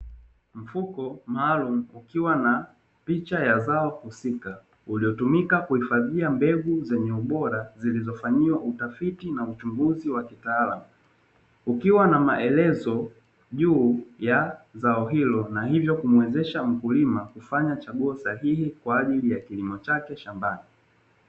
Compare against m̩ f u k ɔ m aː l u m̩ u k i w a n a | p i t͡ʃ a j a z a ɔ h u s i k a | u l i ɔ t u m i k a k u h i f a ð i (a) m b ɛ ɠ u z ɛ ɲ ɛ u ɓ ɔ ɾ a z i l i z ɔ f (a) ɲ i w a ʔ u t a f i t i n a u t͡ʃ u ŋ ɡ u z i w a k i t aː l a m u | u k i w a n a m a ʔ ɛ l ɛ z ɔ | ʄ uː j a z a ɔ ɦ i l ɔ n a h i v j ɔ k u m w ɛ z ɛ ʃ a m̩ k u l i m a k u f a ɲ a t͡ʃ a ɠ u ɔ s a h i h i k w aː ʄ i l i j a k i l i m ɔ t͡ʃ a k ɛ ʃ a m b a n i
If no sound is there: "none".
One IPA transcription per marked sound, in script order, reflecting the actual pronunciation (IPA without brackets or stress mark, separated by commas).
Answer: a, a